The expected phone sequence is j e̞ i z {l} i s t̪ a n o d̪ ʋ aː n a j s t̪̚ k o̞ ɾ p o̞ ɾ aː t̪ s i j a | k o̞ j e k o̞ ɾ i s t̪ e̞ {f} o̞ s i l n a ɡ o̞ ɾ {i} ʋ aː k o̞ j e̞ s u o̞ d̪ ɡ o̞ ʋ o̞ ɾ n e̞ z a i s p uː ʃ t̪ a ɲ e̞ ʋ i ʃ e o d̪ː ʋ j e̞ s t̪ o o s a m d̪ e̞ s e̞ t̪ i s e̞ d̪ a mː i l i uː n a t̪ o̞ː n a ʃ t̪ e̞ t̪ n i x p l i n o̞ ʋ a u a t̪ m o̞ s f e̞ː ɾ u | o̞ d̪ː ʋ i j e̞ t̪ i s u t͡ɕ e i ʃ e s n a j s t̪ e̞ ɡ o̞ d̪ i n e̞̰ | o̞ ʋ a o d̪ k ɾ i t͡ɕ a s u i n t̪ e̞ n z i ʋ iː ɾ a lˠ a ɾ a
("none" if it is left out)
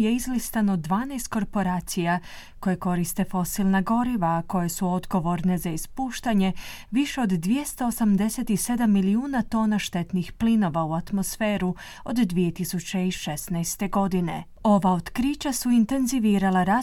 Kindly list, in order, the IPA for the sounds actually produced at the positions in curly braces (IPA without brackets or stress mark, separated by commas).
l, f, i